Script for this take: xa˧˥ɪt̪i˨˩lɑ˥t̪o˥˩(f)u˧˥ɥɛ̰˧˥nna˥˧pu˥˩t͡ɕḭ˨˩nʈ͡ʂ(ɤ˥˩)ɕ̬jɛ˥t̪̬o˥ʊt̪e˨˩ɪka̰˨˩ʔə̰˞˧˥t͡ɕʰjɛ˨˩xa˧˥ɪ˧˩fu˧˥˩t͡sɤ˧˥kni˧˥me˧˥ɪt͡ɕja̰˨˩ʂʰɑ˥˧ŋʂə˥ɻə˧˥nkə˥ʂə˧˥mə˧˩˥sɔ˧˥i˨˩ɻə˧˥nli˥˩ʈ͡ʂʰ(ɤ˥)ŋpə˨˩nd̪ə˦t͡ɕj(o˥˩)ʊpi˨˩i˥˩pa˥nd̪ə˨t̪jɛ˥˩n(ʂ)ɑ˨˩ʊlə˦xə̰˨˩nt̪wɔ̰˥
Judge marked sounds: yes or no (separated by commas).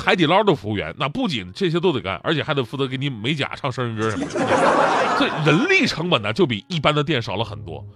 yes, yes, no, yes, yes